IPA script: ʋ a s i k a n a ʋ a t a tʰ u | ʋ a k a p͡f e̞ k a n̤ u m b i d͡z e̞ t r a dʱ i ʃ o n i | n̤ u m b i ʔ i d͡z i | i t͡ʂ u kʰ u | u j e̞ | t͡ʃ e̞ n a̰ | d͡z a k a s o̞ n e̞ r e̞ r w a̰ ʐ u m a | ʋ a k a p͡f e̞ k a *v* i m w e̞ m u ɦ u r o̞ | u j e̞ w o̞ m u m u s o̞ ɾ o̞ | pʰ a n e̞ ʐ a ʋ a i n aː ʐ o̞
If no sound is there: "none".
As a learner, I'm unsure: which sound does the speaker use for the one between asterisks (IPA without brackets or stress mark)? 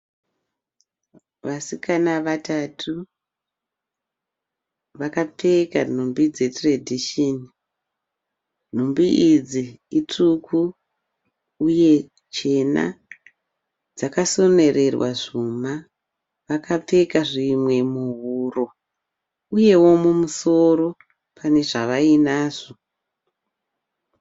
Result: ʐ